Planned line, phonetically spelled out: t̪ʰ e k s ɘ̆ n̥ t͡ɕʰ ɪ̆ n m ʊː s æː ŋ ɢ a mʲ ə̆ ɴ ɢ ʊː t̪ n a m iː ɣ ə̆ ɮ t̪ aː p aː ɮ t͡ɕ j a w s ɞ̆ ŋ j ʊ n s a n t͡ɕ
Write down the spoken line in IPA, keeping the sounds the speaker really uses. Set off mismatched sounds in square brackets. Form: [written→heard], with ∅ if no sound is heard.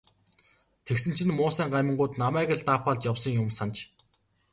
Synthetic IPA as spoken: t̪ʰ e k s ɘ̆ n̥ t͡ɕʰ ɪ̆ n m ʊː s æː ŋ ɢ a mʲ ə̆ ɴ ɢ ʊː t̪ n a m [iː→æː] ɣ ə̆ ɮ t̪ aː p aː ɮ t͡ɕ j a w s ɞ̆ ŋ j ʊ [n→m] s a n t͡ɕ